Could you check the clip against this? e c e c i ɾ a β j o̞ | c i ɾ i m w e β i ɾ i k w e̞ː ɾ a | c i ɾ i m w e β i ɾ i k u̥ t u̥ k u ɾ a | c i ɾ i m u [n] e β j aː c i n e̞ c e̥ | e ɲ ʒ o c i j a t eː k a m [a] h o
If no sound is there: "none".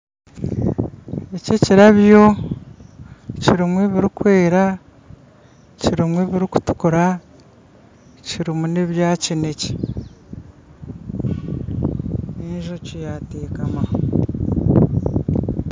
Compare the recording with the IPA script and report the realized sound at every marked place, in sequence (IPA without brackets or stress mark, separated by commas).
n, a